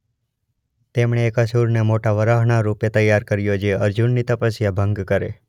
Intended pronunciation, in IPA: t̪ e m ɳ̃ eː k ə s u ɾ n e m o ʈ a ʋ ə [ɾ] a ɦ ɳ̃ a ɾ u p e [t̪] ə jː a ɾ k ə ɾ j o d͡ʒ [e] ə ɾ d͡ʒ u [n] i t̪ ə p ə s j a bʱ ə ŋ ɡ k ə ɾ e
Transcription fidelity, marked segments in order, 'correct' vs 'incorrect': correct, correct, correct, incorrect

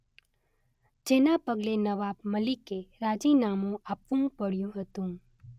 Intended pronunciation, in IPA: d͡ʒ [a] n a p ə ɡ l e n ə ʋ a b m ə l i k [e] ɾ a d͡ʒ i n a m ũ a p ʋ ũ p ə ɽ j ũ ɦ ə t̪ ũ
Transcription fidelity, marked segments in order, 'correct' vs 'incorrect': incorrect, correct

